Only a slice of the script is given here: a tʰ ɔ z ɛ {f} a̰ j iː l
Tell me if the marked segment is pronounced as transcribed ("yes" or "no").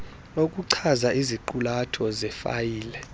yes